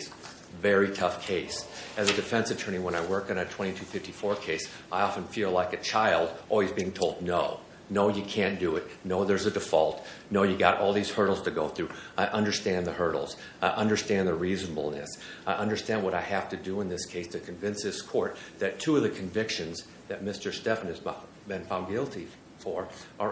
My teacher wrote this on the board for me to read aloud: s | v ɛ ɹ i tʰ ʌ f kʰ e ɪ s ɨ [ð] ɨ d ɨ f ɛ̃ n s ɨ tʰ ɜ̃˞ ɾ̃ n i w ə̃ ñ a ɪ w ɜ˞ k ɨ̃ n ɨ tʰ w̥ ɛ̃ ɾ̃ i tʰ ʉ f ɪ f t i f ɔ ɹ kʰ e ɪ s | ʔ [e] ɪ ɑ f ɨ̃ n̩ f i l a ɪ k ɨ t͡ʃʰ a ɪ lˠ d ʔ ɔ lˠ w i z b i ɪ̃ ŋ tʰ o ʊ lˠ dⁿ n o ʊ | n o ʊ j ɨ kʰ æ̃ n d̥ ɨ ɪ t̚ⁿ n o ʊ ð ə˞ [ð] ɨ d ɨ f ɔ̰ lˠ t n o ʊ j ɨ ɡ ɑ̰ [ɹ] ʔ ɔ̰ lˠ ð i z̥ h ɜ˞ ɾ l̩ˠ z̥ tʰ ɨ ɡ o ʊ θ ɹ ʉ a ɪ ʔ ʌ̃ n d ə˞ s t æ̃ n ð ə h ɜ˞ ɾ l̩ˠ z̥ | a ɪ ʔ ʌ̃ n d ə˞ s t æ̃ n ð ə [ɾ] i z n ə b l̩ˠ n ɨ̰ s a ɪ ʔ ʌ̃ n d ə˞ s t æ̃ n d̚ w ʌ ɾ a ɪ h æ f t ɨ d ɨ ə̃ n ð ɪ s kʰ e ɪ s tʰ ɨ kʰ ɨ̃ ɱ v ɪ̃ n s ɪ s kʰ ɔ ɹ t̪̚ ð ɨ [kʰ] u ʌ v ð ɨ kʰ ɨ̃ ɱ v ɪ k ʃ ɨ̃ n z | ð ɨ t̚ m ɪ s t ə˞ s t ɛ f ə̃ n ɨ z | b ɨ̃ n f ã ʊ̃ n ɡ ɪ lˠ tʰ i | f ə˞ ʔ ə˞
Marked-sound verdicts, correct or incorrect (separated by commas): incorrect, incorrect, incorrect, incorrect, incorrect, incorrect